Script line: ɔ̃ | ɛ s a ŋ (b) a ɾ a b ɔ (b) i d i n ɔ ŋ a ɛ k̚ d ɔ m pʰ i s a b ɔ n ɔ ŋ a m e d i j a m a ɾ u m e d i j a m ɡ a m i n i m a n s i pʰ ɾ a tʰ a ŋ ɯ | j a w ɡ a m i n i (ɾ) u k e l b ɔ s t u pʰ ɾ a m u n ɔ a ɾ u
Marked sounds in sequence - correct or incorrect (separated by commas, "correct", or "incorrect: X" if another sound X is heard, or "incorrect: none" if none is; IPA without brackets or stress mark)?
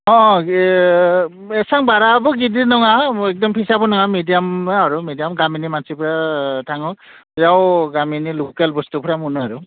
correct, incorrect: ɡ, incorrect: l